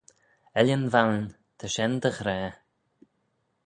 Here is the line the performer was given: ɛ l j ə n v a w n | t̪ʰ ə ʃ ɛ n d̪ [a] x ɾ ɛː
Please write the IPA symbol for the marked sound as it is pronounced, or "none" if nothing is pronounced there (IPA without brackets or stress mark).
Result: ə